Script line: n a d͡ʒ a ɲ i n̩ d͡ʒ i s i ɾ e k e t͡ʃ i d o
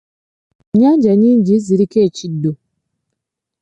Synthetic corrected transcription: ɲ a d͡ʒ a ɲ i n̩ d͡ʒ i z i ɾ i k e t͡ʃ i d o